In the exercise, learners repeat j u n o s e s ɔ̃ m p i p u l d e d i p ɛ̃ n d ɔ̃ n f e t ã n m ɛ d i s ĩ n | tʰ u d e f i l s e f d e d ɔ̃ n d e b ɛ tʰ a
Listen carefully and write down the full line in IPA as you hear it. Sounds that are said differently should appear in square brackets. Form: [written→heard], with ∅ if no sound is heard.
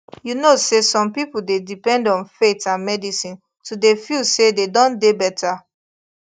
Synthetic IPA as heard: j u n o s e s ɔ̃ m p i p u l d e d i p ɛ̃ n d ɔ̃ n f e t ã n m ɛ d i s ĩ n | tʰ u d e f i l s e [f→∅] d e d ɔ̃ n d e b ɛ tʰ a

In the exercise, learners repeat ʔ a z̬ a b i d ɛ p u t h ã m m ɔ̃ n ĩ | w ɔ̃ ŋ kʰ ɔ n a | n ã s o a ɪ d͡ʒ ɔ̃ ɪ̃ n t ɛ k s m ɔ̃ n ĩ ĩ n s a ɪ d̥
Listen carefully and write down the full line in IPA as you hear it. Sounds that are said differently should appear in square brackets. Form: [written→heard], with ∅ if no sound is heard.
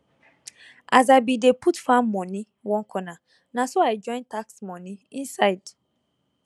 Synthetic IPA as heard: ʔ a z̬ a b i d [ɛ→e] p u t [h→f] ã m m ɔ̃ n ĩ | w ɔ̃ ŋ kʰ ɔ n a | n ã s o a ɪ d͡ʒ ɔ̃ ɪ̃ n t [ɛ→a] k s m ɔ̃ n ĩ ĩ n s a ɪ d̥

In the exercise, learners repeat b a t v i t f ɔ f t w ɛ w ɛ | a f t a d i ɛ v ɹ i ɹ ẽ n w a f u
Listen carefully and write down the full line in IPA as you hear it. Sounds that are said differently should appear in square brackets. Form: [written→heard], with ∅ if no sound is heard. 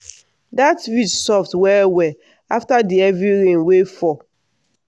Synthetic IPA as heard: [b→d] a t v i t [f→s] ɔ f t w ɛ w ɛ | a f t a d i ɛ v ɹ i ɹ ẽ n w [a→e] f [u→ɔ]

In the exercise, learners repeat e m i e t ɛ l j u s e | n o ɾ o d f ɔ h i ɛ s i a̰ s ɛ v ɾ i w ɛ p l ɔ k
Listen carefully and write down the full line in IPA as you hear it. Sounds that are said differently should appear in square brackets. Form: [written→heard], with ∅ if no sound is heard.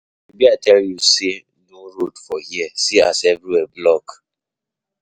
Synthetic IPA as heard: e [m→b] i [e→a] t ɛ l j u s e | n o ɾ o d f ɔ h i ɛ s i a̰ s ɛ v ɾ i w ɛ [p→b] l ɔ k

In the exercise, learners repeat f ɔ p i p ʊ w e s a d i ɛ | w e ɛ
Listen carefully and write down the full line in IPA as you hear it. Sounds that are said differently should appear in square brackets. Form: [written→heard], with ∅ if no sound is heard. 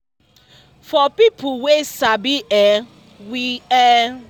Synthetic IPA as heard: f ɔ p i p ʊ w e s a [d→b] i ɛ | w [e→i] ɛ

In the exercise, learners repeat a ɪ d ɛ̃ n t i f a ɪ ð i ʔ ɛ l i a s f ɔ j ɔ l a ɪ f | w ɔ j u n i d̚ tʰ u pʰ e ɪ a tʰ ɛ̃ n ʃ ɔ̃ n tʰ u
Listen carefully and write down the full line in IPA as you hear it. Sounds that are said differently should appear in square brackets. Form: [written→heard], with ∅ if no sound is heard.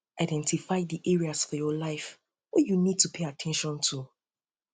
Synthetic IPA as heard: a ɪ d ɛ̃ n t i f a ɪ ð i ʔ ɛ [l→ɹ] i a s f ɔ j ɔ l a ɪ f | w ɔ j u n i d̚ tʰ u pʰ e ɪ a tʰ ɛ̃ n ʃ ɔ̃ n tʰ u

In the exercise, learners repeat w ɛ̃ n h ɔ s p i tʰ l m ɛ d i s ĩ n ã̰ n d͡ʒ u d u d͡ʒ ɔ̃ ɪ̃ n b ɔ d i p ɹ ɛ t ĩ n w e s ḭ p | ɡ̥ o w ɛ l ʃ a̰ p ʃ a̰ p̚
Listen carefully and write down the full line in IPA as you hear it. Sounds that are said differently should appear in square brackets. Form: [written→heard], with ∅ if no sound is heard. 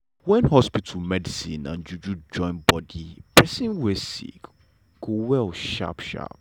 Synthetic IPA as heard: w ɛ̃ n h ɔ s p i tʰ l m ɛ d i s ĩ n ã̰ n d͡ʒ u [d→d͡ʒ] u d͡ʒ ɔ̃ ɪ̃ n b ɔ d i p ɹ ɛ [t→s] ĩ n w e s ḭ [p→k] | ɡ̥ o w ɛ l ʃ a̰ p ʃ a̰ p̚

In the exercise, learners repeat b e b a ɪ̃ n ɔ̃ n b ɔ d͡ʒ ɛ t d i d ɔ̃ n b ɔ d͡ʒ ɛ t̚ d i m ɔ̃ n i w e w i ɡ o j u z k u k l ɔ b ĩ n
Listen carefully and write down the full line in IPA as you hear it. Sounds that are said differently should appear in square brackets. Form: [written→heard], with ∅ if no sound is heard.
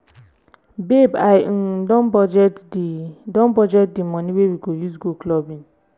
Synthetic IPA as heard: b e b a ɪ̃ [n→d] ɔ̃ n b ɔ d͡ʒ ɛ t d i d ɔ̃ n b ɔ d͡ʒ ɛ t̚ d i m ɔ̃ n i w e w i ɡ o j u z [k→ɡ] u k l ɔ b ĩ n

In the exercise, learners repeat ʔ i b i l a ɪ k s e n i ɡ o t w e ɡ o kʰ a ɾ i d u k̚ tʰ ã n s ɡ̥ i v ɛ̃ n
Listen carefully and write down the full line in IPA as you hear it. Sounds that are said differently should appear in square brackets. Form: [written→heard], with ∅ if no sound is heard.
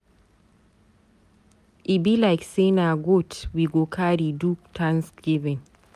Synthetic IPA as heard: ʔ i b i l a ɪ k s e n [i→a] ɡ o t w [e→i] ɡ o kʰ a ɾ i d u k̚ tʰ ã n s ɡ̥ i v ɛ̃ n

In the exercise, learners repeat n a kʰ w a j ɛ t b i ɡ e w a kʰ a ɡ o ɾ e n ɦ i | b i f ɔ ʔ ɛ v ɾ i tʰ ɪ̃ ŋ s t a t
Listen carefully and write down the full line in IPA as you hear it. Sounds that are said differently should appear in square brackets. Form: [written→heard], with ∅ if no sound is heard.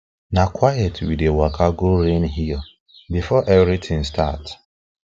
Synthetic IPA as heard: n a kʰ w a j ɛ t [b→w] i [ɡ→d] e w a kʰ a ɡ o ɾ e n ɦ i | b i f ɔ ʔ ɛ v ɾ i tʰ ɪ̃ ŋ s t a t

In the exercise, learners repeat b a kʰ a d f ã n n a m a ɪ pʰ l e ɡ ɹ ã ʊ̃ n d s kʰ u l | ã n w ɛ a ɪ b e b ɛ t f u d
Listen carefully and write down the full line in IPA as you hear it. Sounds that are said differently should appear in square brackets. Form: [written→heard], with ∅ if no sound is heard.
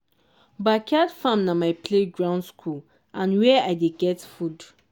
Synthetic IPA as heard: b a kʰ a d f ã [n→m] n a m a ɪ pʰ l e ɡ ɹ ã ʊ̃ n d s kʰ u l | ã n w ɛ a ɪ [b→d] e [b→ɡ] ɛ t f u d

